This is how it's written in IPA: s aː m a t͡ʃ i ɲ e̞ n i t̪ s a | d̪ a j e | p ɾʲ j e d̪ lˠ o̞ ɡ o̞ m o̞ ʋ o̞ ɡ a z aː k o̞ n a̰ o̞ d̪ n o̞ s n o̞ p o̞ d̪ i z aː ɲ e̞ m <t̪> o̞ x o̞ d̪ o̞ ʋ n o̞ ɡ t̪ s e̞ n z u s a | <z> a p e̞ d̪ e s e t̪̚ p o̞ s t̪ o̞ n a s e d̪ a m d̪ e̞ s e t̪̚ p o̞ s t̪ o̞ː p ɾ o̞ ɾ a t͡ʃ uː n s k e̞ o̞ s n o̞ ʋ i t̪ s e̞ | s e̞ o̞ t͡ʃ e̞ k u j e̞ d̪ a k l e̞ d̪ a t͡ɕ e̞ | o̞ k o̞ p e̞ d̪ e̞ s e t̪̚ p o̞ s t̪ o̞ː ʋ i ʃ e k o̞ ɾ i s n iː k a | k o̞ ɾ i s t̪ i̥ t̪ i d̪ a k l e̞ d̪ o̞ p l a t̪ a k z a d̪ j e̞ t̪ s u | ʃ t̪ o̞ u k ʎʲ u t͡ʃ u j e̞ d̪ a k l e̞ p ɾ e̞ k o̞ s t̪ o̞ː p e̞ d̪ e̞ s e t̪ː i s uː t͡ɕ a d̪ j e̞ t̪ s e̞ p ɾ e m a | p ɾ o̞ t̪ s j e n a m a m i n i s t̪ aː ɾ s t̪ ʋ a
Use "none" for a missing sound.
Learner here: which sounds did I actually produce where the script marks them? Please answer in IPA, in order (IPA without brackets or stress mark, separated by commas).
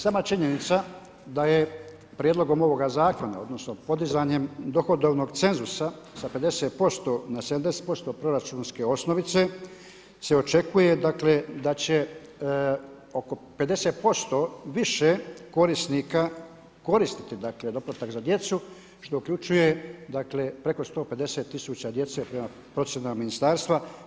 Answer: d̪, s